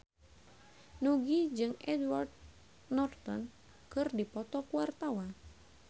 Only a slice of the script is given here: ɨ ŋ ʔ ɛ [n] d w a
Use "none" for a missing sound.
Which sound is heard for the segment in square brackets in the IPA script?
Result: none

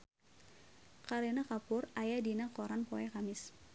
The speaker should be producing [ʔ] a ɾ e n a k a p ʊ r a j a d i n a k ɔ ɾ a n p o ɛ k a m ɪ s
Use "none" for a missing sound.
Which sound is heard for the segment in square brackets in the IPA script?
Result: k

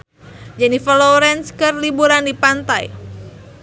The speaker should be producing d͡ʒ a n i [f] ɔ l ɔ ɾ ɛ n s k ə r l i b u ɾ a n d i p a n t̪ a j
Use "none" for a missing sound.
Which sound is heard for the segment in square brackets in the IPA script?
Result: f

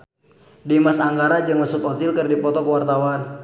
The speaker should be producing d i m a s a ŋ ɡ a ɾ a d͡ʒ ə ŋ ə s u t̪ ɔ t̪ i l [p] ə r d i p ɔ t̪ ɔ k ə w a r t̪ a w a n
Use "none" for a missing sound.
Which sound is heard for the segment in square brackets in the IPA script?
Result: k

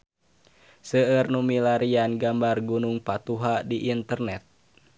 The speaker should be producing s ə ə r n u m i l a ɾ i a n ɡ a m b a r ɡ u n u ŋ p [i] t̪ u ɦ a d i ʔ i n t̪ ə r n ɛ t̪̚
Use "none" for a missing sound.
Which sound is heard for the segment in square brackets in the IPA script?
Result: a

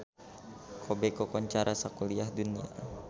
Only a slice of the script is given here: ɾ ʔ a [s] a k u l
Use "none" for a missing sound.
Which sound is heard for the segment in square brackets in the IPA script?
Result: s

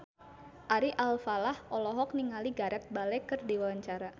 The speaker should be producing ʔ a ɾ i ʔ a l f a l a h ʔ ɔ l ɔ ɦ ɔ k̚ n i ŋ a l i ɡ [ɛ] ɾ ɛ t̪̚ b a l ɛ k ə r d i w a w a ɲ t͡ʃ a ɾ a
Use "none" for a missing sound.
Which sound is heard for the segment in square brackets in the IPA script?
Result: a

